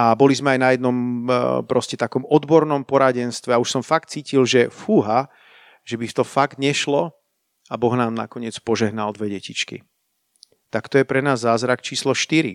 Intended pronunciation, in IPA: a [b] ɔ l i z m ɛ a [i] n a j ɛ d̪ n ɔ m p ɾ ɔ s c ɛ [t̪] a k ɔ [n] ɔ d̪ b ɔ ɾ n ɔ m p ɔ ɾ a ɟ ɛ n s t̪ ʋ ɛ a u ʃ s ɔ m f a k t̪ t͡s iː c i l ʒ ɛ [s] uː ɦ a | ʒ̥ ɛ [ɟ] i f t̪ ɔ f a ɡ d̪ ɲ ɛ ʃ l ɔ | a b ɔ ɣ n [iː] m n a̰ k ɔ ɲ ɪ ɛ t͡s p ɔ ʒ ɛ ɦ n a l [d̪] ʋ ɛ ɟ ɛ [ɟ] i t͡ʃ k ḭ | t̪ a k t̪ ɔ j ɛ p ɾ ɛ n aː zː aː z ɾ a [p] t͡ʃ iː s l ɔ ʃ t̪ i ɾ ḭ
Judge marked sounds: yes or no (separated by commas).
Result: yes, no, yes, no, no, no, no, yes, no, no